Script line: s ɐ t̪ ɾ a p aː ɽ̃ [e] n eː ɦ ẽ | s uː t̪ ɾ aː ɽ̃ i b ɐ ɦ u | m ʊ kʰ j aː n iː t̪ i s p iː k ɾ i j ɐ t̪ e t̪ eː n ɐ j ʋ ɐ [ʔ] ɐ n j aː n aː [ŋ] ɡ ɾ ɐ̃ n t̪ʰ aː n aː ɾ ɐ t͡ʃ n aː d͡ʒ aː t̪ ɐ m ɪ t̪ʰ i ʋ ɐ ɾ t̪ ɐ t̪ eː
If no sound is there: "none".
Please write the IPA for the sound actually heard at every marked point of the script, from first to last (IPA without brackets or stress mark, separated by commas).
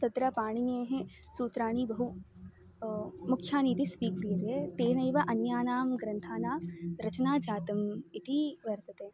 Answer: i, ʔ, m